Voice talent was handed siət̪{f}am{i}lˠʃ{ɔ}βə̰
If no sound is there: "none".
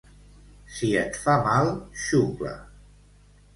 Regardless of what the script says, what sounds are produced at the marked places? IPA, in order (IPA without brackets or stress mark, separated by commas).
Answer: f, a, u